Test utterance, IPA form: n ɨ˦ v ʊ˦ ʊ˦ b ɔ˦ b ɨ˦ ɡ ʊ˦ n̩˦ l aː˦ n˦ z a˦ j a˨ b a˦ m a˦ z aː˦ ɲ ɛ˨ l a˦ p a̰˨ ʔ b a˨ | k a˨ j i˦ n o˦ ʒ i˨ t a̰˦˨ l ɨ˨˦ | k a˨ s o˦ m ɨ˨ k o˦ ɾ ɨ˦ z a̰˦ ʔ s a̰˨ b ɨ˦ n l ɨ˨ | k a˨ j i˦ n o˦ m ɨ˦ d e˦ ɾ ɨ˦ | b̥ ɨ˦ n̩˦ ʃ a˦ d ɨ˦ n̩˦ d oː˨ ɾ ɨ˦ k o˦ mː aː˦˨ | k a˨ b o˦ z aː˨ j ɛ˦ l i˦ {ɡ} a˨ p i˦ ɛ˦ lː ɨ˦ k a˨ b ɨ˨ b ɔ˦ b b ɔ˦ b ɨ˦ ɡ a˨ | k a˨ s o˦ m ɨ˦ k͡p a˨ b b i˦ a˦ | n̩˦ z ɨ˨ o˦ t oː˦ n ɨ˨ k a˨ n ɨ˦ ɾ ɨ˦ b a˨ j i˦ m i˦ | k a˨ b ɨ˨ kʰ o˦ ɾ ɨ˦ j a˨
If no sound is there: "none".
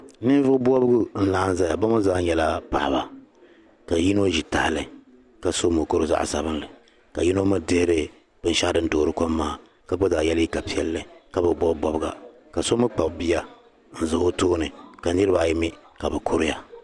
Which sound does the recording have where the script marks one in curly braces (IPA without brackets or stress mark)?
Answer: k